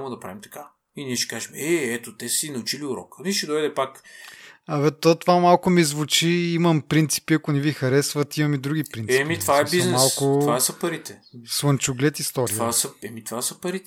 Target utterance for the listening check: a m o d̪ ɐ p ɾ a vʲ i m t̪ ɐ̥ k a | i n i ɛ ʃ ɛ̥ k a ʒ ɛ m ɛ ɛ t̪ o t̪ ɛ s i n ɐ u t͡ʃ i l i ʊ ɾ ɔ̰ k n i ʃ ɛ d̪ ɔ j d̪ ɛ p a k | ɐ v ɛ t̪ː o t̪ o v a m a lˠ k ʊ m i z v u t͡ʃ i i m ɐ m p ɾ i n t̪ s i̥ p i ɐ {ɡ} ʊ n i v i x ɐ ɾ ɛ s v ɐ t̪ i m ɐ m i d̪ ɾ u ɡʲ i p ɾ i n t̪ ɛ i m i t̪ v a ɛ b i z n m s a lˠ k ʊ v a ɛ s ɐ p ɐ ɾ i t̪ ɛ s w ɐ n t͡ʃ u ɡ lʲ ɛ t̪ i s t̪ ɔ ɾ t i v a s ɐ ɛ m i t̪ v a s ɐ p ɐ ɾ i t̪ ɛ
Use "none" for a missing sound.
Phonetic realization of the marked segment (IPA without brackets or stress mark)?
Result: k